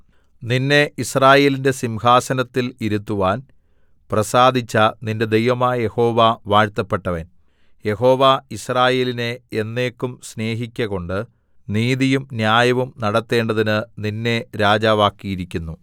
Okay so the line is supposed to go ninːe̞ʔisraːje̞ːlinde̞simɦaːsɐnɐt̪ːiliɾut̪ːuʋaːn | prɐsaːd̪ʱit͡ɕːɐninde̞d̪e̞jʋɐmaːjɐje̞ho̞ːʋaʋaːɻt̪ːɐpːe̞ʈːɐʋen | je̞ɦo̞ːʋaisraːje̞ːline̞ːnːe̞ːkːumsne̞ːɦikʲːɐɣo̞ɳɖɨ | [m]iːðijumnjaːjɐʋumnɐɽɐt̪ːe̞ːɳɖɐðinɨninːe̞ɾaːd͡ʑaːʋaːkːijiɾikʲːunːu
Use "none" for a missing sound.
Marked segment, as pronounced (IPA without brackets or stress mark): n